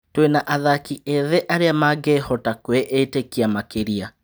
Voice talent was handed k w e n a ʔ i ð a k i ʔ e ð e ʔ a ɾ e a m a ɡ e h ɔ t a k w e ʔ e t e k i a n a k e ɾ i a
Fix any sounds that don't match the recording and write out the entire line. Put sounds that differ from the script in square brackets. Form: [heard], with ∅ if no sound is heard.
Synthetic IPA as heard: [t] w e n a ʔ [a] ð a k i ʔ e ð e ʔ a ɾ e a m a ɡ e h ɔ t a k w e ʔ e t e k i a [m] a k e ɾ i a